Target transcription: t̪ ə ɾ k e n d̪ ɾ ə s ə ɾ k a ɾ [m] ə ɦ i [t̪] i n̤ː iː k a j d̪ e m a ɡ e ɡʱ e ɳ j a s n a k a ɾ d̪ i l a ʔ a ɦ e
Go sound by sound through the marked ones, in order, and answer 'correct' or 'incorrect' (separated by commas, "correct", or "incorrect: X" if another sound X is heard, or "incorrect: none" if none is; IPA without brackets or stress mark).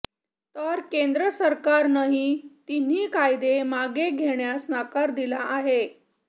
incorrect: n, correct